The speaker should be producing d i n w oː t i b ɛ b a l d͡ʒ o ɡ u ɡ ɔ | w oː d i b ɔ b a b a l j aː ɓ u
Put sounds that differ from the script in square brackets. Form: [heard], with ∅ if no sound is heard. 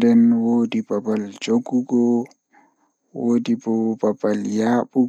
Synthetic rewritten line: d [ɛ] n w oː [d] i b [a] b a l d͡ʒ o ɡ u ɡ ɔ | w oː d i b ɔ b a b a l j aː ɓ u